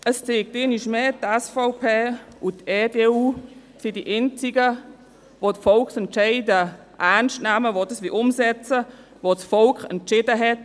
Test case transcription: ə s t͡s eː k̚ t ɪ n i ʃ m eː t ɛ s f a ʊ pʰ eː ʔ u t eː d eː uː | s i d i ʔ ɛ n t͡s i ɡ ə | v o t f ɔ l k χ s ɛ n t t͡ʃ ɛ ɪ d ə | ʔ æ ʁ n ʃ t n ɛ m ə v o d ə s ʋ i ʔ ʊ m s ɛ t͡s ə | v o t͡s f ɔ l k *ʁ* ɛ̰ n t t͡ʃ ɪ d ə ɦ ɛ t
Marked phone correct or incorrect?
incorrect